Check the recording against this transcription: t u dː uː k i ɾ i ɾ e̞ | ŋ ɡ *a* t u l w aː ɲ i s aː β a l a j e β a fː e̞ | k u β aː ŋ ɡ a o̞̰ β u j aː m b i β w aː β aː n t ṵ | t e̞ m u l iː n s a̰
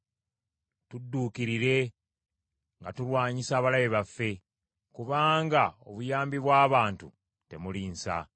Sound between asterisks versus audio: correct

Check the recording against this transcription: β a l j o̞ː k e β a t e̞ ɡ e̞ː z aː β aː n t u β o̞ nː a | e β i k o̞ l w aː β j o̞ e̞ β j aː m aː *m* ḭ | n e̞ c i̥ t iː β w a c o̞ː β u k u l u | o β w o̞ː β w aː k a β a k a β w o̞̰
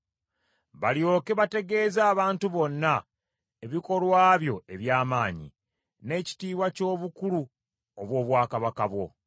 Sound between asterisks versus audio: incorrect: ɲ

